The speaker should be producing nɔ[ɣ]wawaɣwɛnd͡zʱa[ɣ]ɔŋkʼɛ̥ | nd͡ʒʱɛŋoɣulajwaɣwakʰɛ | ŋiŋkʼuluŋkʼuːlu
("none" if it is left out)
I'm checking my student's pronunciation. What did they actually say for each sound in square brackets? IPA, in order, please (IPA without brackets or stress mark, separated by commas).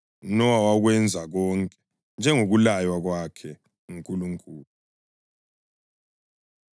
none, ɣ